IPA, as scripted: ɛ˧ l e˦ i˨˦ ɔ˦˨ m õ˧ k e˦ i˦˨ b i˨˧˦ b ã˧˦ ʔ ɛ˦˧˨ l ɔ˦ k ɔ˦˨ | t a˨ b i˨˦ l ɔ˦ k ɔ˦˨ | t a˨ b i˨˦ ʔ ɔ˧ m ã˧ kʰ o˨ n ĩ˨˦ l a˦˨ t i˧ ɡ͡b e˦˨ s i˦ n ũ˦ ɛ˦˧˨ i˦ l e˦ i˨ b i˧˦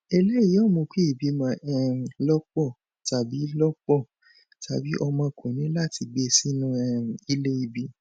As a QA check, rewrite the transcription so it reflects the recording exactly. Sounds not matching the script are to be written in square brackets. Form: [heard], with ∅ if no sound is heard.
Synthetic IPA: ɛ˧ l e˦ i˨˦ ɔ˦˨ m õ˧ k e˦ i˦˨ b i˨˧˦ [m] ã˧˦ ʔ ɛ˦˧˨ l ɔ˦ [k͡p] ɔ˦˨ | t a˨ b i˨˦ l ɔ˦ [k͡p] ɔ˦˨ | t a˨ b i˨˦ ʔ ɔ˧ m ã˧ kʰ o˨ n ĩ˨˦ l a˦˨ t i˧ ɡ͡b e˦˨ s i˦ n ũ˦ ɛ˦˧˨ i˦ l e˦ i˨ b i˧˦